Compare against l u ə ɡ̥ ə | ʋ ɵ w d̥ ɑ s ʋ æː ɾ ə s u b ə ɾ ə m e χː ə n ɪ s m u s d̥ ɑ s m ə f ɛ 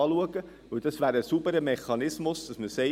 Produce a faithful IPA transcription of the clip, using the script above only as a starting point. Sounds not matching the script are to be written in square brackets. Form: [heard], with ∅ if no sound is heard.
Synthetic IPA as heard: l u ə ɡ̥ ə | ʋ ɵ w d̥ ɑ s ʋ æː ɾ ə s u b ə ɾ ə m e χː [ɑ] n ɪ s m [ʊ] s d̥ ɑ s m ə [s] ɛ